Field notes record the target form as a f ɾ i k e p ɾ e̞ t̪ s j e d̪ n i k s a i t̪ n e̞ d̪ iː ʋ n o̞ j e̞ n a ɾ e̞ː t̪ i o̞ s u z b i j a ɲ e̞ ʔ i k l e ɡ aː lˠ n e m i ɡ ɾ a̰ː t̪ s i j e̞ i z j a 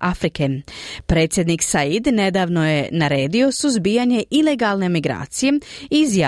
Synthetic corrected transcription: a f ɾ i k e p ɾ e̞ t̪ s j e d̪ n i k s a i d̪ n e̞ d̪ aː ʋ n o̞ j e̞ n a ɾ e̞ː d̪ i o̞ s u z b i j a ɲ e̞ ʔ i l e ɡ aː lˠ n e m i ɡ ɾ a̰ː t̪ s i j e̞ i z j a